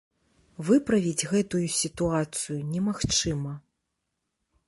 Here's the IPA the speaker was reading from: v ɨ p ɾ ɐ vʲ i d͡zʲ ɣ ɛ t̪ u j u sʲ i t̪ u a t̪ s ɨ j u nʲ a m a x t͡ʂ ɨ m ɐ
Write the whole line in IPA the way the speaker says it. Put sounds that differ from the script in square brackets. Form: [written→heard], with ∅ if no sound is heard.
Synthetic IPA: v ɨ p ɾ ɐ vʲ i d͡zʲ ɣ ɛ t̪ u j u sʲ i t̪ u a t̪ s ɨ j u nʲ [a→ɛ] m a x t͡ʂ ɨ m ɐ

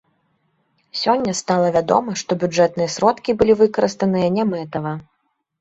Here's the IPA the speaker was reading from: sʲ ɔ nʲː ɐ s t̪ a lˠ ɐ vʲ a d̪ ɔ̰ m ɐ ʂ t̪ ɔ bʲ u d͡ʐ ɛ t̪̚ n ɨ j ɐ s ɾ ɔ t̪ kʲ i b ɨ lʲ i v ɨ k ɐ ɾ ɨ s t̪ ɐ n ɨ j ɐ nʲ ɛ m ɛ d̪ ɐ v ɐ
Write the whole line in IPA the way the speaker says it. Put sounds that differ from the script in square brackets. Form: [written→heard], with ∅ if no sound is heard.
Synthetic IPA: sʲ ɔ nʲː ɐ s t̪ a lˠ ɐ vʲ a d̪ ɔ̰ m ɐ ʂ t̪ ɔ bʲ u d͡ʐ ɛ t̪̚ n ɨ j ɐ s ɾ ɔ t̪ kʲ i b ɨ lʲ i v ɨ k ɐ ɾ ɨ s t̪ ɐ n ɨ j ɐ nʲ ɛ m ɛ [d̪→t̪] ɐ v ɐ

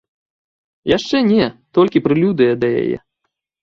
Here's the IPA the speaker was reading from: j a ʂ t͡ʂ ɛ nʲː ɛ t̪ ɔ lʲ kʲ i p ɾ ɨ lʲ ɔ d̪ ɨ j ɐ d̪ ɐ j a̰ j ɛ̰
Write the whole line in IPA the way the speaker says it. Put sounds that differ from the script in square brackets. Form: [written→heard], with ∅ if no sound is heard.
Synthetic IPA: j a ʂ t͡ʂ ɛ [nʲː→nʲ] ɛ t̪ ɔ lʲ kʲ i p ɾ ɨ lʲ [ɔ→u] d̪ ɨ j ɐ d̪ ɐ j a̰ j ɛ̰

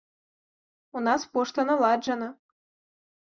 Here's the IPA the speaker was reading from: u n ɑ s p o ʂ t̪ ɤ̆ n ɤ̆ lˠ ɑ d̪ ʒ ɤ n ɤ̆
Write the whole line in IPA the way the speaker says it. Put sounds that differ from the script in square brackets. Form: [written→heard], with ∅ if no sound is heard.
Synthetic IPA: u n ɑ s p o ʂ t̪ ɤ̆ n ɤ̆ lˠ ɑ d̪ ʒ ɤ n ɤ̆

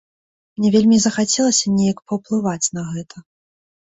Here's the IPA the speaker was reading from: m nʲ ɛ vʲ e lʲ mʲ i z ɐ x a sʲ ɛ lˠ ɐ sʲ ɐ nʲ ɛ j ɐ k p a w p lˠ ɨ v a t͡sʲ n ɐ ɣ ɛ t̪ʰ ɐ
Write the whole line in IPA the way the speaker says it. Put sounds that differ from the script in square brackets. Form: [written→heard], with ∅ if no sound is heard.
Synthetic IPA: m nʲ ɛ vʲ e lʲ mʲ i z ɐ x a [sʲ→t͡sʲ] ɛ lˠ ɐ sʲ ɐ nʲ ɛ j ɐ k p [a→ɐ] w p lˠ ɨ v a t͡sʲ n ɐ ɣ ɛ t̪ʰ ɐ

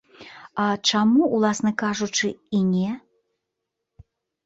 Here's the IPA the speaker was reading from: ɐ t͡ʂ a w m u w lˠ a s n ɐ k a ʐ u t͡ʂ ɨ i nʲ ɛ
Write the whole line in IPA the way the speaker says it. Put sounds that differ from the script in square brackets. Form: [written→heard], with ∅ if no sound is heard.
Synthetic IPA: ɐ t͡ʂ a [w→∅] m u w lˠ a s n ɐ k a ʐ u t͡ʂ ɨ i nʲ ɛ

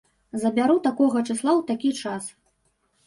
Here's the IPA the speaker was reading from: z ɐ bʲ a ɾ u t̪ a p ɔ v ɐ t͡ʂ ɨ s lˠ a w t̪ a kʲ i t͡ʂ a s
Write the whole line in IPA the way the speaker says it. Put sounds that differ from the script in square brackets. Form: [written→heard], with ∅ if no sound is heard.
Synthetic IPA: z ɐ bʲ a ɾ u t̪ a [p→k] ɔ [v→ɣ] ɐ t͡ʂ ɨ s lˠ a w t̪ a kʲ i t͡ʂ a s

